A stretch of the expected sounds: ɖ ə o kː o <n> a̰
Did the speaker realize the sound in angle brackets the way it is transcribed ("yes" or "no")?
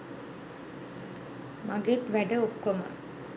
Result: no